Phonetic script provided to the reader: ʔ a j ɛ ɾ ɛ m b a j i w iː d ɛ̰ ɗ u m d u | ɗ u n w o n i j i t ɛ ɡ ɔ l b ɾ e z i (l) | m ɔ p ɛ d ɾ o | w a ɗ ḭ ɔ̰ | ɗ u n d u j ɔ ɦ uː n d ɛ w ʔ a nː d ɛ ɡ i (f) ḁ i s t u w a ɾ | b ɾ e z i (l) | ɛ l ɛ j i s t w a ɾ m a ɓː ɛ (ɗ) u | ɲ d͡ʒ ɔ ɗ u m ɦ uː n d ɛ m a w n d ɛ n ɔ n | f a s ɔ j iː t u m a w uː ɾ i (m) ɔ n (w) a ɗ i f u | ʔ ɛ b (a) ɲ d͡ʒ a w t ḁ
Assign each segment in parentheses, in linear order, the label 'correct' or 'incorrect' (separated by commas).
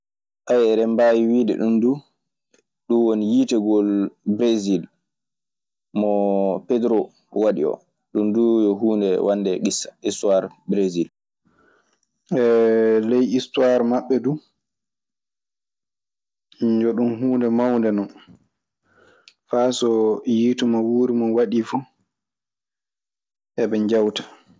correct, incorrect, correct, incorrect, correct, correct, incorrect